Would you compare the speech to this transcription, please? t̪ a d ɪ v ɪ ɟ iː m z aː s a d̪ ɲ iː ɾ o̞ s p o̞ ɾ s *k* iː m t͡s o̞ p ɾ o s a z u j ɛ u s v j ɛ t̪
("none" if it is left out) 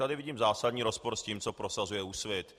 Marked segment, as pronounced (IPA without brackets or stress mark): c